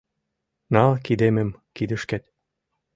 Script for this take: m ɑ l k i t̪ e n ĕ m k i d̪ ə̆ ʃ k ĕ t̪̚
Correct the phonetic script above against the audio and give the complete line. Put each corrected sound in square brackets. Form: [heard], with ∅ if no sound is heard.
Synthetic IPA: [n] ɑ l k i [d̪] e [m] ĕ m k i d̪ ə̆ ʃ k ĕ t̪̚

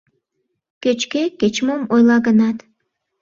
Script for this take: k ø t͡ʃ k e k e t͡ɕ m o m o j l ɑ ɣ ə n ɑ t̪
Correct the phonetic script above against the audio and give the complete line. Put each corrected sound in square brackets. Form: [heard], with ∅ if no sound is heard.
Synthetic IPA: k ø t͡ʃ k e k e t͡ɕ m o m o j l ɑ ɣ ə n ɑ t̪

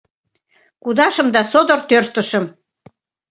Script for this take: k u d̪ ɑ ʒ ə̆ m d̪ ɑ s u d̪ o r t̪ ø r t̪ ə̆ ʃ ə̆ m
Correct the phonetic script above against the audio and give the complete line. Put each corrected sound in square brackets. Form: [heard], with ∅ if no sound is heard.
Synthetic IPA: k u d̪ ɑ [ʃ] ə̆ m d̪ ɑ s [o] d̪ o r t̪ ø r t̪ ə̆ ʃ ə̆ m

